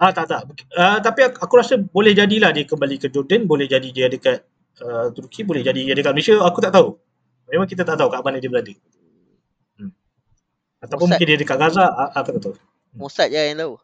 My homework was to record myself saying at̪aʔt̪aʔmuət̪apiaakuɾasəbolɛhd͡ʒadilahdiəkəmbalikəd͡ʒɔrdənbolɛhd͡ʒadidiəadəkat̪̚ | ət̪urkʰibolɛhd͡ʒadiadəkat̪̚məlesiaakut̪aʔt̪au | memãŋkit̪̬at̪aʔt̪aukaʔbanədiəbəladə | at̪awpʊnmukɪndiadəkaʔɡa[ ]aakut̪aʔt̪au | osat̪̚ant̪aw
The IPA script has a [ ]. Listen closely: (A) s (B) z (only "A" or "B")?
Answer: B